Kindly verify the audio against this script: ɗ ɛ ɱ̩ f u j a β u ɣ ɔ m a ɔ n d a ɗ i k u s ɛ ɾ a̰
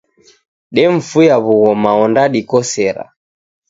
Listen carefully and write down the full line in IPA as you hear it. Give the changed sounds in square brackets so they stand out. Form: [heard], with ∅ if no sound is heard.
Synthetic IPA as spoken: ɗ ɛ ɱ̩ f u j a β u ɣ ɔ m a ɔ n d a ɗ i k [ɔ] s ɛ ɾ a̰